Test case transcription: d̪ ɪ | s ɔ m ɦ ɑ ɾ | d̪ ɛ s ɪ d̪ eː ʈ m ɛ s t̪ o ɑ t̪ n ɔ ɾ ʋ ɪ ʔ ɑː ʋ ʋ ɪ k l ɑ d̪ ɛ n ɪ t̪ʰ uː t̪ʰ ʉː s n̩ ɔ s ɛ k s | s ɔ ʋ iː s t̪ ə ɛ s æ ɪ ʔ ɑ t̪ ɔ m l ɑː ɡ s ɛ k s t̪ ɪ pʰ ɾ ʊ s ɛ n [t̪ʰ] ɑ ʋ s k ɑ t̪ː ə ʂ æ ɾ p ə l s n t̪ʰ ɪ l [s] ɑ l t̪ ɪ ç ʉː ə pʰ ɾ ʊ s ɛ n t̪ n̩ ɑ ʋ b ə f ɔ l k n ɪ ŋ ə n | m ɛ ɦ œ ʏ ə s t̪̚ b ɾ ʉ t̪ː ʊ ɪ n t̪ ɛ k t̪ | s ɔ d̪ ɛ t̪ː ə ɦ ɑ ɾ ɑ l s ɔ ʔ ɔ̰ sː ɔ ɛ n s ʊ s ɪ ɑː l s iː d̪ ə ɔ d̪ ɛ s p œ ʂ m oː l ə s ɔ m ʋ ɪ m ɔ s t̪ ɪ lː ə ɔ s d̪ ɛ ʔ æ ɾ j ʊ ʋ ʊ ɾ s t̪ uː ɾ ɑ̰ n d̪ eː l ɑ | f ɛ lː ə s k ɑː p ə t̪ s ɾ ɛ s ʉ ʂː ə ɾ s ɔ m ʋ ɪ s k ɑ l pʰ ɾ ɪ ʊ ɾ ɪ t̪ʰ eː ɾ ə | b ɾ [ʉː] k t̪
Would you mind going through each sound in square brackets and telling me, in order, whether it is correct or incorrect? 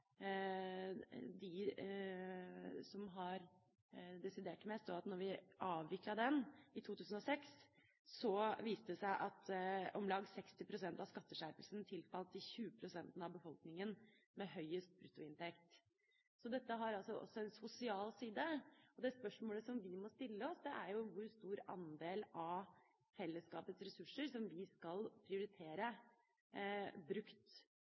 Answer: incorrect: t̪, incorrect: f, incorrect: ʉ

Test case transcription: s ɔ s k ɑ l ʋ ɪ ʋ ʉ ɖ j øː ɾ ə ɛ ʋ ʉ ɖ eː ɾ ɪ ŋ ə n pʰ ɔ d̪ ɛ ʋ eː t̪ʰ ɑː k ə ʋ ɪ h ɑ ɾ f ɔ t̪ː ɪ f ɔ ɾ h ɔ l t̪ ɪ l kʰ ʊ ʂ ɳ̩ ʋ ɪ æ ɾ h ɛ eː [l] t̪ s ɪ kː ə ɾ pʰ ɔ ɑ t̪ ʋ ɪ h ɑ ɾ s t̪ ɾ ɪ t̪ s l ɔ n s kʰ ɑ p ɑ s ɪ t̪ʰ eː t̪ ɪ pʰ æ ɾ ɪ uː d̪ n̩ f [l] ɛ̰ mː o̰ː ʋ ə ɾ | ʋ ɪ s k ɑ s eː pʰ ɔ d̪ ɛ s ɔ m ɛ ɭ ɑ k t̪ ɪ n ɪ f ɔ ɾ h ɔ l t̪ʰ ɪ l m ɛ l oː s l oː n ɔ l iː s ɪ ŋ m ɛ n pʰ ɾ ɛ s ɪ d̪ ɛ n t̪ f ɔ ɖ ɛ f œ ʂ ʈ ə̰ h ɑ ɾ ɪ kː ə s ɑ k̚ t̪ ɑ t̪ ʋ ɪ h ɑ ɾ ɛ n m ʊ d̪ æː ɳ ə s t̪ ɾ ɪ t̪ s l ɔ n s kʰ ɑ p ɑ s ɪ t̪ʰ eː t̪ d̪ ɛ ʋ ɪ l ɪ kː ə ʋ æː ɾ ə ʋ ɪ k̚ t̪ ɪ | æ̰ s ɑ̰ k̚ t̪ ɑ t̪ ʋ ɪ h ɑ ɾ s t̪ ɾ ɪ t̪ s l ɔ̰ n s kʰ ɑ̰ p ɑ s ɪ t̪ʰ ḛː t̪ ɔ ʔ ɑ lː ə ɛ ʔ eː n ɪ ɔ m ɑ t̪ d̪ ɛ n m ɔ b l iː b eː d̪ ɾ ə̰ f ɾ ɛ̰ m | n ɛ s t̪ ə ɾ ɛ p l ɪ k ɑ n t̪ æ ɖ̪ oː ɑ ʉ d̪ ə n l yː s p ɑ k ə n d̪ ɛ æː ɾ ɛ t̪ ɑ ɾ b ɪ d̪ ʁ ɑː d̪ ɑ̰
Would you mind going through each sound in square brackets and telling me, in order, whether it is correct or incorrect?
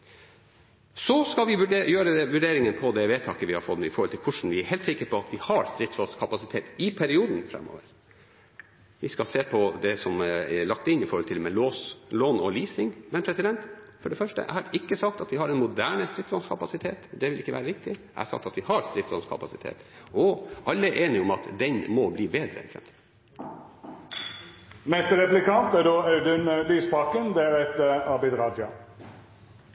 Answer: correct, incorrect: ɾ

